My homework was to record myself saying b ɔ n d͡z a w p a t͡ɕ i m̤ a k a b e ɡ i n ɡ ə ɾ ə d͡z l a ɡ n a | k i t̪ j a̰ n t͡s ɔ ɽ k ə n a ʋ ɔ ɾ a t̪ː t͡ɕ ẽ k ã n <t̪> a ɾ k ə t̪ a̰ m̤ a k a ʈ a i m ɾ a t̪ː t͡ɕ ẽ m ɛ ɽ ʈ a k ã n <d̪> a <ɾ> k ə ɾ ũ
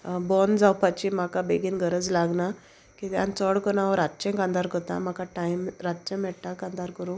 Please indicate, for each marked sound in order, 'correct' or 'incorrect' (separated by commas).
incorrect, correct, correct